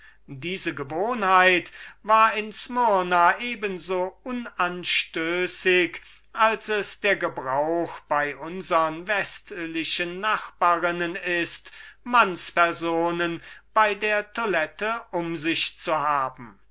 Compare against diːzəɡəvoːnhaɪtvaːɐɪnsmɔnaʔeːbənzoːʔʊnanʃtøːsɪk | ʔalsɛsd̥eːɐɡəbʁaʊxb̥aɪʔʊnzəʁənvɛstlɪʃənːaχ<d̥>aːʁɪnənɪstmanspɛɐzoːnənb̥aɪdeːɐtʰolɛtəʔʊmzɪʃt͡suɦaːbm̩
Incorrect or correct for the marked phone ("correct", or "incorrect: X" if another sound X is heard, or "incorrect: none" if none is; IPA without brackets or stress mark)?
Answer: incorrect: b̥